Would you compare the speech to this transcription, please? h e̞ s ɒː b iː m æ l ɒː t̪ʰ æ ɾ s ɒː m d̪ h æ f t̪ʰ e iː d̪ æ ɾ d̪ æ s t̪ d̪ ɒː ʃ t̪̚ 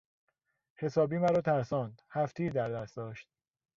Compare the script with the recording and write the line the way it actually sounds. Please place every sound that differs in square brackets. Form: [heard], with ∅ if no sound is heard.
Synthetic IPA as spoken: h e̞ s ɒː b iː m æ [ɾ] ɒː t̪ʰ æ ɾ s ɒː [n] d̪ h æ f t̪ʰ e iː d̪ æ ɾ d̪ æ s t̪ d̪ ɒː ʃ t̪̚

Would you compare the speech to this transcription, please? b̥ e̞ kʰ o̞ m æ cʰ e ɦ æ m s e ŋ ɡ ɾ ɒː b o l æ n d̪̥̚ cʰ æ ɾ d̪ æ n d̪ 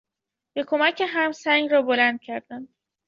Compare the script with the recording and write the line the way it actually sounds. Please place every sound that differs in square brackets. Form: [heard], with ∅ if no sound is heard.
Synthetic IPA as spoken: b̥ e̞ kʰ o̞ m æ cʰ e ɦ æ m s [æ] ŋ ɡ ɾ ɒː b o l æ n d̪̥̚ cʰ æ ɾ d̪ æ n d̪

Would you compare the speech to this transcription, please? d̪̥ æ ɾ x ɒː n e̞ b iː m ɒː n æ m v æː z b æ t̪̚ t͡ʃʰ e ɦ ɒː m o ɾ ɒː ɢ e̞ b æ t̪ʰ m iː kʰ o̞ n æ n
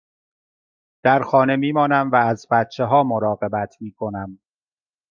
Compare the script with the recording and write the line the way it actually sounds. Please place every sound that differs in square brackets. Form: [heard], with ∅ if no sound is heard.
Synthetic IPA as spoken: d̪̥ æ ɾ x ɒː n e̞ [m] iː m ɒː n æ m v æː z b æ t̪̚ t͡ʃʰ e ɦ ɒː m o ɾ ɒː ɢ e̞ b æ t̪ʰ m iː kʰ o̞ n æ [m]

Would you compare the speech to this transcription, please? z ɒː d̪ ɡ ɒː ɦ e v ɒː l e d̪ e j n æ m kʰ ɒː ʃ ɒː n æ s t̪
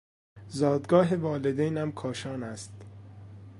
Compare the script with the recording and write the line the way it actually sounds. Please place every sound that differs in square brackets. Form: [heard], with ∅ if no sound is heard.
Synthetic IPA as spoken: z ɒː d̪ ɡ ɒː ɦ e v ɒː l e d̪ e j n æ m kʰ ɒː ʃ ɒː n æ s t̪

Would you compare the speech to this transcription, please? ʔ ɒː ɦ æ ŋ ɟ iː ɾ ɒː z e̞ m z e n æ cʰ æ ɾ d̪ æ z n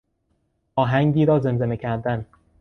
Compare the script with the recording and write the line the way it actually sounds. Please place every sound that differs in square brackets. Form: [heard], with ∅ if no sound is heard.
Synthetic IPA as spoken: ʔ ɒː ɦ æ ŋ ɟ iː ɾ ɒː z e̞ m z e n [e] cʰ æ ɾ d̪ æ [∅] n

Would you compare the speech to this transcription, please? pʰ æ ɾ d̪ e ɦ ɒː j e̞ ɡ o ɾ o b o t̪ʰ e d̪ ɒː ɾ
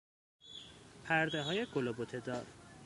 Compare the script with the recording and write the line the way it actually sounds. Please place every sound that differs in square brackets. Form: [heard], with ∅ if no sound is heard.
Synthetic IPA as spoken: pʰ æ ɾ d̪ e ɦ ɒː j e̞ ɡ o [l] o b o t̪ʰ e d̪ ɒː ɾ

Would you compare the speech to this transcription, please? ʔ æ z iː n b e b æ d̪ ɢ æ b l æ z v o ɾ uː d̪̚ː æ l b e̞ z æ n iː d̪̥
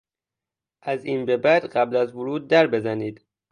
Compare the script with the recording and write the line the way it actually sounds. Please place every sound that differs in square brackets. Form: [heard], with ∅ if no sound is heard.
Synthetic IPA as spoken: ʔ æ z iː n b e b æ d̪ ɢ æ b l æ z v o ɾ uː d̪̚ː æ [ɾ] b e̞ z æ n iː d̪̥

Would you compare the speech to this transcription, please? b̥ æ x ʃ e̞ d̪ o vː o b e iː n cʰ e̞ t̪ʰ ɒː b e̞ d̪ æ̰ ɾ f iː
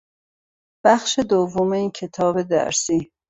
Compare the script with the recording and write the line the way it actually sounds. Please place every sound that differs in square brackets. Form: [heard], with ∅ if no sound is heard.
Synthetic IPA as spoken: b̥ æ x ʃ e̞ d̪ o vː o [m] e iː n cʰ e̞ t̪ʰ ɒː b e̞ d̪ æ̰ ɾ [s] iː

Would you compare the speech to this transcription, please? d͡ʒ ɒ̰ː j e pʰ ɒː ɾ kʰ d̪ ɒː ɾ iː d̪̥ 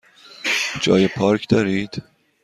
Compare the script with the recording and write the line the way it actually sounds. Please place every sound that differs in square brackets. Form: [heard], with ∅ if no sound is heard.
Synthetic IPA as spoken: d͡ʒ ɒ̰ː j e pʰ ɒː ɾ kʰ d̪ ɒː ɾ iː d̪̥

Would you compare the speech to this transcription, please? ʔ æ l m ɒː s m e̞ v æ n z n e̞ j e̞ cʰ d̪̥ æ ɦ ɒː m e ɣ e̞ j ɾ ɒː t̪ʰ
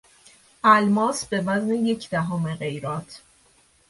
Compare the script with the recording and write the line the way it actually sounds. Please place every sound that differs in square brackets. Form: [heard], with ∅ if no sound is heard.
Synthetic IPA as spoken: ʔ æ l m ɒː s [b] e̞ v æ [∅] z n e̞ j e̞ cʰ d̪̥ æ ɦ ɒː m e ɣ e̞ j ɾ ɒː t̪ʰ

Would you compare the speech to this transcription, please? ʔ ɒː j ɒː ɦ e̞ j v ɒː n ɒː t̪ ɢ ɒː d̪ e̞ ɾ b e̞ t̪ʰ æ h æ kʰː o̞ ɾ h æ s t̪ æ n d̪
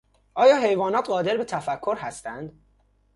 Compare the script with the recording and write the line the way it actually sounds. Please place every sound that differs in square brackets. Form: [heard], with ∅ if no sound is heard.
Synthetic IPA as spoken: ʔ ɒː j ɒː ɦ e̞ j v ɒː n ɒː t̪ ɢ ɒː d̪ e̞ ɾ b e̞ t̪ʰ æ [f] æ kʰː o̞ ɾ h æ s t̪ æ n d̪

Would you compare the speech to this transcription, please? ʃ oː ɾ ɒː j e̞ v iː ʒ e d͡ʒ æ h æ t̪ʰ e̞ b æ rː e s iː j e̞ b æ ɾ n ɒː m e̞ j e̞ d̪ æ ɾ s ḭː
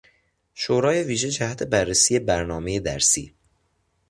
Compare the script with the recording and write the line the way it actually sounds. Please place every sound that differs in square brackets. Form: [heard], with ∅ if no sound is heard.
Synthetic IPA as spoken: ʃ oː ɾ ɒː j e̞ v iː ʒ e d͡ʒ æ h æ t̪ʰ e̞ b æ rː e s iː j e̞ b æ ɾ n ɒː m e̞ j e̞ d̪ æ ɾ s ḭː

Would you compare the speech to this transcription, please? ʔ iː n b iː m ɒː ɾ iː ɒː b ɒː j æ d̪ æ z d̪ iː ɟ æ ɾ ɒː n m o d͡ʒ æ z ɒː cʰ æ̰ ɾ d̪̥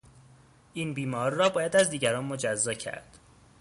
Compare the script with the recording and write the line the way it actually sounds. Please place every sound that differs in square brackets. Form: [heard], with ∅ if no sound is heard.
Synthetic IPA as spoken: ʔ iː n b iː m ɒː ɾ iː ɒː b ɒː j æ d̪ æ z d̪ iː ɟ æ ɾ ɒː n m o d͡ʒ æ [zː] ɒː cʰ æ̰ ɾ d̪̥

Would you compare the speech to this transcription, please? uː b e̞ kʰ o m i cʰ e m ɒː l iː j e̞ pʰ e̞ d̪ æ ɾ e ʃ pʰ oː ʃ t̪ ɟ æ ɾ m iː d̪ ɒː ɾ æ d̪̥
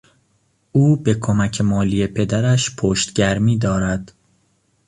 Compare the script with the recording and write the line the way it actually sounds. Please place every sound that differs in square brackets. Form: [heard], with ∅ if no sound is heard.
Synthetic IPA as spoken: uː b e̞ kʰ o m [æ] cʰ e m ɒː l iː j e̞ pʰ e̞ d̪ æ ɾ [æ] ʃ pʰ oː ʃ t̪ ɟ æ ɾ m iː d̪ ɒː ɾ æ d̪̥

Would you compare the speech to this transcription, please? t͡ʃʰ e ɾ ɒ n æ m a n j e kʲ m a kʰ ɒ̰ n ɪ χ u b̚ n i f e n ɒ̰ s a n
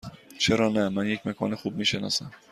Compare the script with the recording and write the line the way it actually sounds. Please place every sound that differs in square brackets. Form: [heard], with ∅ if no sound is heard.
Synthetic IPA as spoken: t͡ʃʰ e ɾ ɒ n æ m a n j e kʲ m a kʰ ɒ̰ n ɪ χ u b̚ [m] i [ʃ] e n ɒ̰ s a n

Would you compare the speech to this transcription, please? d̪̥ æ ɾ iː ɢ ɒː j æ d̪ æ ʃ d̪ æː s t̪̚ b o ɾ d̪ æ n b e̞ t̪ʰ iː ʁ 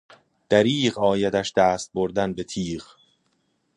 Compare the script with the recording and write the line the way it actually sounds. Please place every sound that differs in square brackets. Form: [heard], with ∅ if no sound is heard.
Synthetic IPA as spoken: d̪̥ æ ɾ iː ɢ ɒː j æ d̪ æ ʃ d̪ æː s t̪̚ b o ɾ d̪ æ n b e̞ t̪ʰ iː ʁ

